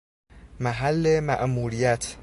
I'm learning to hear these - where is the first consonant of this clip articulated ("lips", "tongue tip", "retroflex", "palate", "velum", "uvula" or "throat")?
lips